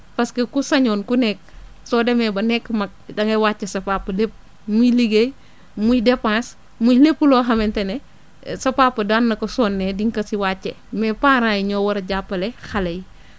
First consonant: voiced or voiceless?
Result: voiceless